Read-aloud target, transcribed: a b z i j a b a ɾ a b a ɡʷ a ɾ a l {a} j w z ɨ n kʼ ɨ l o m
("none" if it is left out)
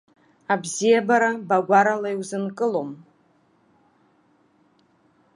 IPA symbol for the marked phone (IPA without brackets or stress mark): a